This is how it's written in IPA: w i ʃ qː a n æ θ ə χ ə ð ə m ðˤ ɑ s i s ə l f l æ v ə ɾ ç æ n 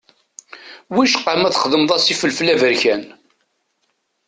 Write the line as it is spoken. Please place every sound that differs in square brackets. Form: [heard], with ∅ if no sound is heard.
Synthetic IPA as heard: w i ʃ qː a [m] æ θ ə χ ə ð ə m ðˤ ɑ s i [f] ə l f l æ v ə ɾ ç æ n